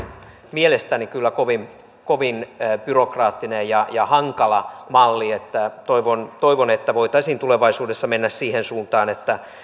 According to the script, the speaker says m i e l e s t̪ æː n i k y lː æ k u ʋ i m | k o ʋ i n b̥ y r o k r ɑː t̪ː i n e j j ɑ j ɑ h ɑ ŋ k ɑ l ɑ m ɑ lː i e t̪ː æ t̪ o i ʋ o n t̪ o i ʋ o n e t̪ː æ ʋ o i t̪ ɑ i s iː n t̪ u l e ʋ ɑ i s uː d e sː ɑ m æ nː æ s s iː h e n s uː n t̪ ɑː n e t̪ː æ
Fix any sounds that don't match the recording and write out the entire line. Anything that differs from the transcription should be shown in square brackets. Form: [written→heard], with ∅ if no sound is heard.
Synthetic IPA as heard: m i e l e s t̪ [æː→æ] n i k y lː æ k [u→o] ʋ i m | k o ʋ i n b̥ y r o k r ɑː t̪ː i n e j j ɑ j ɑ h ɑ ŋ k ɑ l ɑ m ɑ lː i e t̪ː æ t̪ o i ʋ o n t̪ o i ʋ o n e t̪ː æ ʋ o i t̪ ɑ i s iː n t̪ u l e ʋ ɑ i s uː d e sː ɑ m [æ→e] nː æ s s iː h e n s uː n t̪ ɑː n e t̪ː æ

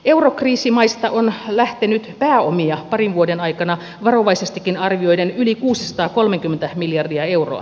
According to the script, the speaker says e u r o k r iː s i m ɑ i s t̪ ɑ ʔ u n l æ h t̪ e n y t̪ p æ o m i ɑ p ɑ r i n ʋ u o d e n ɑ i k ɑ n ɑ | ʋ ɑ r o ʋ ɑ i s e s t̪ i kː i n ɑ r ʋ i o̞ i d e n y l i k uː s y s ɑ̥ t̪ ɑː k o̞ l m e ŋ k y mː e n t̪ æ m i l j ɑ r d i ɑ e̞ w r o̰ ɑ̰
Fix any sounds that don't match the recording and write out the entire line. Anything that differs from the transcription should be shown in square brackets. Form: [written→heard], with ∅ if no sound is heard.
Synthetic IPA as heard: e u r o k r iː s i m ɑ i s t̪ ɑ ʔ [u→o] n l æ h t̪ e n y t̪ p [æ→æː] o m i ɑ p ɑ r i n ʋ u o d e n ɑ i k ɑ n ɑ | ʋ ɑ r o ʋ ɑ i s e s t̪ i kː i n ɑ r ʋ i o̞ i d e n y l i k uː s [y→i] s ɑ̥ t̪ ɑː k o̞ l m e ŋ k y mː e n t̪ æ m i l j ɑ r d i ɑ e̞ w r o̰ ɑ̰

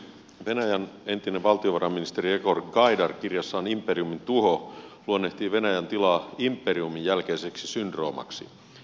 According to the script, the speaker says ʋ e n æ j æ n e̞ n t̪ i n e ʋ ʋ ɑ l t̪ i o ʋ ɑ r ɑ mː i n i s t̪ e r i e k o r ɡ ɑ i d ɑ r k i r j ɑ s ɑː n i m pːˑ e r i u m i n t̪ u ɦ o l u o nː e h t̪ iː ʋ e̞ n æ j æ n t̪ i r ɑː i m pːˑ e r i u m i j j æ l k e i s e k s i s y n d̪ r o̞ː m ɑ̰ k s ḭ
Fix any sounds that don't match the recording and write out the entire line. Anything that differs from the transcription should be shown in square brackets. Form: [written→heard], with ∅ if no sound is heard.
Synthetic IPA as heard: ʋ e n æ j æ n e̞ n t̪ i n e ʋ ʋ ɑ l t̪ i o ʋ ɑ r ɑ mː i n i s t̪ e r i e k o r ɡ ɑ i d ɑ r k i r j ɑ [s→sː] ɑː n i m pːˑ e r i u m i n t̪ u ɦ o l u o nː e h t̪ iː ʋ e̞ n æ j æ n t̪ i [r→l] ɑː i m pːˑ e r i u m i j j æ l k e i s e k s i s y n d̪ r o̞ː m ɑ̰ k s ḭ

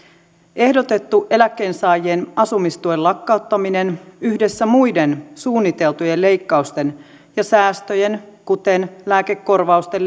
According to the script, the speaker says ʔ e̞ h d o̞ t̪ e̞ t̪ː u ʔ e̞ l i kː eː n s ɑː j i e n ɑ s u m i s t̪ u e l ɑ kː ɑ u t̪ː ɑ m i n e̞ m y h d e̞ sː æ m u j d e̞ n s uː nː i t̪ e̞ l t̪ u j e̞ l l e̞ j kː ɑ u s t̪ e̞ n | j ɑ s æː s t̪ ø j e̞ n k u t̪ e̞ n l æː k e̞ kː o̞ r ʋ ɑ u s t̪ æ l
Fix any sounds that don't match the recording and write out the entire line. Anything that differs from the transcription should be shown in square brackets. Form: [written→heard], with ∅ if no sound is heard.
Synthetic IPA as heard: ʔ e̞ h d o̞ t̪ e̞ t̪ː u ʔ e̞ l [i→æ] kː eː n s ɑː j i e n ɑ s u m i s t̪ u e l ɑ kː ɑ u t̪ː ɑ m i n e̞ [m→n] y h d e̞ sː æ m u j d e̞ n s uː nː i t̪ e̞ l t̪ u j e̞ l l e̞ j kː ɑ u s t̪ e̞ n | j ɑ s æː s t̪ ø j e̞ n k u t̪ e̞ n l æː k e̞ kː o̞ r ʋ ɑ u s t̪ [æ→e] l

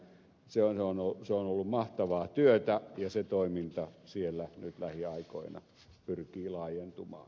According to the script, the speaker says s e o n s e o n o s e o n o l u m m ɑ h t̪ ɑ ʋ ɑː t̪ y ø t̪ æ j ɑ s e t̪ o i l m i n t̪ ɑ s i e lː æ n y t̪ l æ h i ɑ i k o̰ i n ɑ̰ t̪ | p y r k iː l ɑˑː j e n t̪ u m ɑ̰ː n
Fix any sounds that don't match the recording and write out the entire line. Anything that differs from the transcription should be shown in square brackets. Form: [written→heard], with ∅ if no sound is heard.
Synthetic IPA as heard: s e o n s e o n o s e o n o [l→lː] u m m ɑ h t̪ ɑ ʋ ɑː t̪ y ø t̪ æ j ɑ s e t̪ o i [l→∅] m i n t̪ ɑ s i e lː æ n y t̪ l æ h i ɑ i k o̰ i n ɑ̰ [t̪→∅] | p y r k iː l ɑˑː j e n t̪ u m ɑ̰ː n

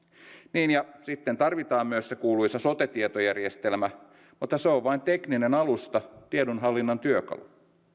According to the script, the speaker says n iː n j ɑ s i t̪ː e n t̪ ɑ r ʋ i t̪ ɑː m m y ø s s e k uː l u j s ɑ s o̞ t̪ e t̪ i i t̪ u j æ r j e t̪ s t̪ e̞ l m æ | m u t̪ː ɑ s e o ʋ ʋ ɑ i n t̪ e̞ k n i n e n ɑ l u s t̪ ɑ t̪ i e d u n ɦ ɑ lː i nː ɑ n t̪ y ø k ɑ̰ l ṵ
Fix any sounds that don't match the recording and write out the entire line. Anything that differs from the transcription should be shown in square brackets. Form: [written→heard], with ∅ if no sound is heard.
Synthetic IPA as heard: n iː n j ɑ s i t̪ː e n t̪ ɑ r ʋ i t̪ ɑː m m y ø s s e k uː l u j s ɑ s o̞ t̪ e t̪ i [i→e] t̪ [u→o] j æ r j e [t̪→∅] s t̪ e̞ l m æ | m u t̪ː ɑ s e o ʋ ʋ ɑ i n t̪ e̞ k n i n e n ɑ l u s t̪ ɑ t̪ i e d u n ɦ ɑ lː i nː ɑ n t̪ y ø k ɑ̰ l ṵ

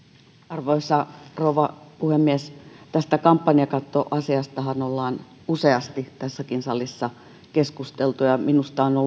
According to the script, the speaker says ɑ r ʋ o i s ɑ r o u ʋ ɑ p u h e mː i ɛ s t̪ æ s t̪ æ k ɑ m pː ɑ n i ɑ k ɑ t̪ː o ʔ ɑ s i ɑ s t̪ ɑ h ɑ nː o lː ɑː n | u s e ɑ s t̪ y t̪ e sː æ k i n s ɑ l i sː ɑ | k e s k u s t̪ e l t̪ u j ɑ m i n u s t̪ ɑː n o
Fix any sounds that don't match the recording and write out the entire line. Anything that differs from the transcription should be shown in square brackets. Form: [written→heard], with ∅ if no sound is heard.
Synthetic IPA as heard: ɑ r ʋ o i s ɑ r o u ʋ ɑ p u h e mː i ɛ s t̪ æ s t̪ æ k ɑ m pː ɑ n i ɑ k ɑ t̪ː o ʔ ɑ s i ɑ s t̪ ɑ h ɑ [nː→n] o lː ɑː n | u s e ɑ s t̪ [y→i] t̪ [e→æ] sː æ k i n s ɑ l i sː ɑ | k e s k u s t̪ e l t̪ u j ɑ m i n u s t̪ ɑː n o

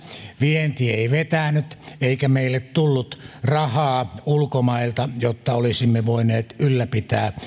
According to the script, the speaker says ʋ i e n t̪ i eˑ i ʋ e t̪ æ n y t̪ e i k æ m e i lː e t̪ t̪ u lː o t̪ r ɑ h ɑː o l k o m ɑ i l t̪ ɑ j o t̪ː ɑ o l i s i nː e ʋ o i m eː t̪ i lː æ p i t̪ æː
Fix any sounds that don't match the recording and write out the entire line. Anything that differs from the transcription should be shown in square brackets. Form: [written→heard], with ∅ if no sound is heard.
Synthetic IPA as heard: ʋ i e n t̪ i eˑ i ʋ e t̪ æ n y t̪ e i k æ m e i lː e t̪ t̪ u lː [o→u] t̪ r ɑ h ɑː [o→u] l k o m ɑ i l t̪ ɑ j o t̪ː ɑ o l i s i [nː→mː] e ʋ o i [m→n] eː t̪ [i→y] lː æ p i t̪ æː

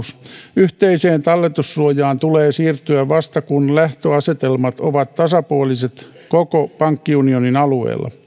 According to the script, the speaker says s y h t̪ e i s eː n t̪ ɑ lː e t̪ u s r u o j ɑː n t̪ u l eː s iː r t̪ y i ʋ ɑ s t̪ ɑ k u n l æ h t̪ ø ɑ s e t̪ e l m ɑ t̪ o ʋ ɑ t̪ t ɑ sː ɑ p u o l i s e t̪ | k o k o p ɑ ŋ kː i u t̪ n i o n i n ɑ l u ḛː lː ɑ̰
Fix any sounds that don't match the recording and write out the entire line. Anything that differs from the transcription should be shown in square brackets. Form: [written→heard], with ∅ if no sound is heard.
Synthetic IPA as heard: s y h t̪ e i s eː n t̪ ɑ lː e t̪ u s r u o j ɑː n t̪ u l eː s iː r t̪ y [i→æ] ʋ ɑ s t̪ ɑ k u n l æ h t̪ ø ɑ s e t̪ e l m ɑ t̪ o ʋ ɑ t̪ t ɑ [sː→s] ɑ p u o l i s e t̪ | k o k o p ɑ ŋ kː i u [t̪→∅] n i o n i n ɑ l u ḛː lː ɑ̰

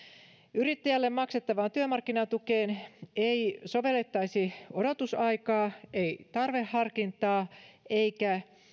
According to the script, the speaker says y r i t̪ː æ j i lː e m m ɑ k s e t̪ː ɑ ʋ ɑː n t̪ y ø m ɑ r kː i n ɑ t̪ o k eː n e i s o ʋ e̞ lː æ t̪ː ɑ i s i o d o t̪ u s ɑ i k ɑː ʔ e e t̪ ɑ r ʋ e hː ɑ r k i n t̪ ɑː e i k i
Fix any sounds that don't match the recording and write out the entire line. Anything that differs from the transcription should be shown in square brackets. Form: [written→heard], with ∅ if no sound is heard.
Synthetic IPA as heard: y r i t̪ː æ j [i→æ] lː e m m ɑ k s e t̪ː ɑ ʋ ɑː n t̪ y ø m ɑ r kː i n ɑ t̪ [o→u] k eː n e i s o ʋ e̞ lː [æ→e] t̪ː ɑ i s i o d o t̪ u s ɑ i k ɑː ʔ e [e→i] t̪ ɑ r ʋ e hː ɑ r k i n t̪ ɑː e i k [i→æ]

